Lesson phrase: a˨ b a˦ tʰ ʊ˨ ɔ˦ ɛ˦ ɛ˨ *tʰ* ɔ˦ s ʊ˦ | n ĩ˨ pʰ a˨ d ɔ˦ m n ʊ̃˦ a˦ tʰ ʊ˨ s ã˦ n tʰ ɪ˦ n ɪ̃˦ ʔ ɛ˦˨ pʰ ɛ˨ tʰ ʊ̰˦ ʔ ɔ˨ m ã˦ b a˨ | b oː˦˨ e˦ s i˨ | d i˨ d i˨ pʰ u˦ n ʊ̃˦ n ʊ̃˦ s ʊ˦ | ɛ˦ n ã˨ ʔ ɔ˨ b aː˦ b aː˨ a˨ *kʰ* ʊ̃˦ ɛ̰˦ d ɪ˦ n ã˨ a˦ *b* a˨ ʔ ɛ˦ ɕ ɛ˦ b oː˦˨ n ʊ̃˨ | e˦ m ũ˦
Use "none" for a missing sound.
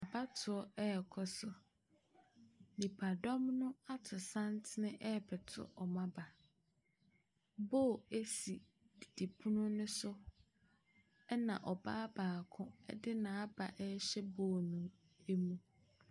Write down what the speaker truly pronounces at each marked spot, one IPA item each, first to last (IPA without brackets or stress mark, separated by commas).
kʰ, kʰ, b